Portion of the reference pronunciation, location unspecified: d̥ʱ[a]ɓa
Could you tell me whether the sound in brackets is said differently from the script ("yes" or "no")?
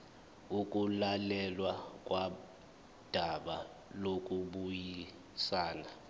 no